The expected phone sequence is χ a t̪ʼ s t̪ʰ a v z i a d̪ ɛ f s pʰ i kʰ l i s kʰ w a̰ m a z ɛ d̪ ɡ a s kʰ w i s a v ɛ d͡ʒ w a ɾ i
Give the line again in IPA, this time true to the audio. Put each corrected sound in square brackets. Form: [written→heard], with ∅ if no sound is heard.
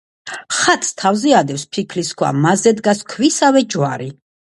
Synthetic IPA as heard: χ a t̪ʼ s t̪ʰ a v z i a d̪ ɛ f s pʰ i kʰ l i s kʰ w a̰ m a z ɛ d̪ ɡ a s kʰ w i s a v ɛ d͡ʒ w a ɾ i

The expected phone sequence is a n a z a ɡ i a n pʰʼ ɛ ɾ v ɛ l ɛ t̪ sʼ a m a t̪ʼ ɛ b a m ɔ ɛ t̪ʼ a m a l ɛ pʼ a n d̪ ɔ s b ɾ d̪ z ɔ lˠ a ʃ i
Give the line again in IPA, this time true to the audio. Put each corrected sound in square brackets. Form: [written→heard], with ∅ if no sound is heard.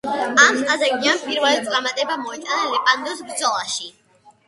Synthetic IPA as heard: a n a z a ɡ i a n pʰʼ [ɛ→i] ɾ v ɛ l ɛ t̪ sʼ a m a t̪ʼ ɛ b a m ɔ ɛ t̪ʼ a [m→n] a l ɛ pʼ a n d̪ ɔ s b ɾ d̪ z ɔ lˠ a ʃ i

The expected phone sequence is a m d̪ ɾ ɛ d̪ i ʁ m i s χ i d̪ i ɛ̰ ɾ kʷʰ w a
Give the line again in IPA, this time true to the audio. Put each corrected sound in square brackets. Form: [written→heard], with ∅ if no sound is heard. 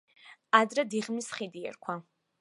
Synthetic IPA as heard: a [m→∅] d̪ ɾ ɛ d̪ i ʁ m i s χ i d̪ i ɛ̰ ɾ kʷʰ w a

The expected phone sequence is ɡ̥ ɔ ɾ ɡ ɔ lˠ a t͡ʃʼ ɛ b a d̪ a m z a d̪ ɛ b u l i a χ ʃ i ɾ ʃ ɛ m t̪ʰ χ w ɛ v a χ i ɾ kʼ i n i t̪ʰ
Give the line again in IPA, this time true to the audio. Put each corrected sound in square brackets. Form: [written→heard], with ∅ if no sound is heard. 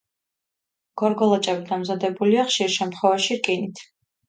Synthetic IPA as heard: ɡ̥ ɔ ɾ ɡ ɔ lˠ a t͡ʃʼ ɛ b [a→i] d̪ a m z a d̪ ɛ b u l i a χ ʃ i ɾ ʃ ɛ m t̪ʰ χ w ɛ v a [χ→ʃ] i ɾ kʼ i n i t̪ʰ

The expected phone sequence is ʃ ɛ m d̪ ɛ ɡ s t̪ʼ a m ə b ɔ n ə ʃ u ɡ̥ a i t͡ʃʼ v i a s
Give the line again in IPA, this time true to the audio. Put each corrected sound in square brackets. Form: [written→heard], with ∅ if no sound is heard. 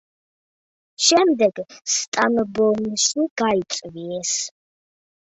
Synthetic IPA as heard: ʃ ɛ m d̪ ɛ ɡ s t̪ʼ a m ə b ɔ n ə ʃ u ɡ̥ a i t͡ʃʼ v i [a→ɛ] s

